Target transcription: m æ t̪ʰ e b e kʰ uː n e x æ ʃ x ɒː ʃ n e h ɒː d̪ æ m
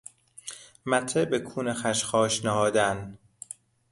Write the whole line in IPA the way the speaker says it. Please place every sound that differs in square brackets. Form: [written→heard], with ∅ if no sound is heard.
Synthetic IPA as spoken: m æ t̪ʰ e b e kʰ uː n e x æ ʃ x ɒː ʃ n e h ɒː d̪ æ [m→n]